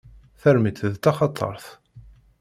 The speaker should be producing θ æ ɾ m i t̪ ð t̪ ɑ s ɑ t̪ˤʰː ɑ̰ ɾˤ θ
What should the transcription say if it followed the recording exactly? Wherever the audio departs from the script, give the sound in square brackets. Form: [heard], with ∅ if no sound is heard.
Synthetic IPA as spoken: θ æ ɾ m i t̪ ð t̪ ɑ [χ] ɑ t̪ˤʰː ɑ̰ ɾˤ θ